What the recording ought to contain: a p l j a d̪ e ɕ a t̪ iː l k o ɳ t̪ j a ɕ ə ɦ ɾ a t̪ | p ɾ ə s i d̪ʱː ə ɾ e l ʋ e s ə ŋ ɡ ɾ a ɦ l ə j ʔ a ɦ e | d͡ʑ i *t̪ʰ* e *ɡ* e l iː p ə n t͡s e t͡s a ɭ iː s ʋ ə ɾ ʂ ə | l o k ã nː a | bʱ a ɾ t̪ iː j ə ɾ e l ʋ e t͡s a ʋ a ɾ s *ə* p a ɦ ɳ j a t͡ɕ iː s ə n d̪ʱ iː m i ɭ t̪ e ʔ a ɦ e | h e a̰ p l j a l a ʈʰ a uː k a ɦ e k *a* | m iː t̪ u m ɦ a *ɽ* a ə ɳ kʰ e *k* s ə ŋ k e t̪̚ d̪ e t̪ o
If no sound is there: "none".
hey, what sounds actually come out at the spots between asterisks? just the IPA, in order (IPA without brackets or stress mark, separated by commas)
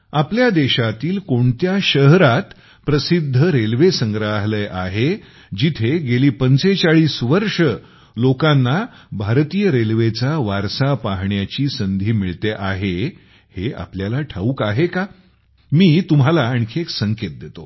t̪ʰ, ɡ, a, a, l, k